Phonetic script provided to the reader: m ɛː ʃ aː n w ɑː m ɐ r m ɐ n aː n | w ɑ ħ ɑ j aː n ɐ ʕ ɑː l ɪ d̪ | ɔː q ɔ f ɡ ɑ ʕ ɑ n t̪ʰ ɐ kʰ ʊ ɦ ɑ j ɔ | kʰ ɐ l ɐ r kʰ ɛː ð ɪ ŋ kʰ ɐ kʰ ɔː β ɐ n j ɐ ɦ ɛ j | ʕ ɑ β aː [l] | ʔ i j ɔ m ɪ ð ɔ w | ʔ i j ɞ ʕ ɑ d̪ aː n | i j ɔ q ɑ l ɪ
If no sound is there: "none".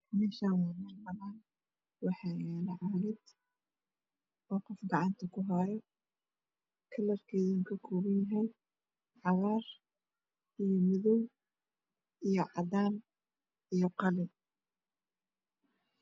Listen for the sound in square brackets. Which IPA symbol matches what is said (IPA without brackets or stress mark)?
r